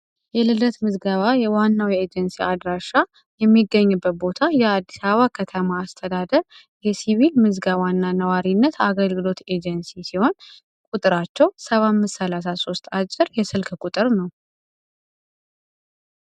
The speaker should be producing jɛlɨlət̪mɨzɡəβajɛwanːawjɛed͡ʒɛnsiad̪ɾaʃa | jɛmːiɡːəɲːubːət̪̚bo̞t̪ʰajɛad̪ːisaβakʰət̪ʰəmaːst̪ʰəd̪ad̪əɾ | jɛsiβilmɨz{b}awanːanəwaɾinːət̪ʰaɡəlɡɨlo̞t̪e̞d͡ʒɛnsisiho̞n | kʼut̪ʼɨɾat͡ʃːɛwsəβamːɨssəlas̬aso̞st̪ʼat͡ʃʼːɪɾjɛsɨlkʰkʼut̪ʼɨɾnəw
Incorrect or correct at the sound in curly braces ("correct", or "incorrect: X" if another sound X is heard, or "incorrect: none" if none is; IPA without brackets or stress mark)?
incorrect: ɡ